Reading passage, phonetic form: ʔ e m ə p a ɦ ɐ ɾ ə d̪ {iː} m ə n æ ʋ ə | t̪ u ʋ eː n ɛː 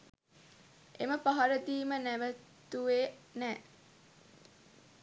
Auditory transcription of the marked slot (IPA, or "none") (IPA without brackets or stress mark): iː